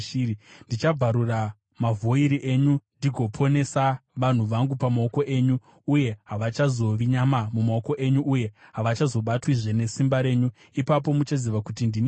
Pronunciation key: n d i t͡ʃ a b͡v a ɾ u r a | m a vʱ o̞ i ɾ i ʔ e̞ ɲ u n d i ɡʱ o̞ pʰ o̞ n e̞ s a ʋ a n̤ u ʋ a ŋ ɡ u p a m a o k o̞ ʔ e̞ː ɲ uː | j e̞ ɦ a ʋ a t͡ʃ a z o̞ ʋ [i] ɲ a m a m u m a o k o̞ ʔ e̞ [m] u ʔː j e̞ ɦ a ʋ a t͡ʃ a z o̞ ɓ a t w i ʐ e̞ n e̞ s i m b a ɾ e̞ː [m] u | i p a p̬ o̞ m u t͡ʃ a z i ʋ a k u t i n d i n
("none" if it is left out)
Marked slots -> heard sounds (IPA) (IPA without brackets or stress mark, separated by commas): i, ɲ, ɲ